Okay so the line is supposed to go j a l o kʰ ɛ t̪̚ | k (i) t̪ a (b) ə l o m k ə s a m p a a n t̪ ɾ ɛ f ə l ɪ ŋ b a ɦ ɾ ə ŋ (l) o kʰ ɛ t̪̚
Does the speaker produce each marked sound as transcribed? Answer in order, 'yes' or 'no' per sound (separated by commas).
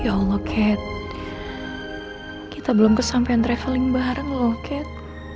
yes, yes, yes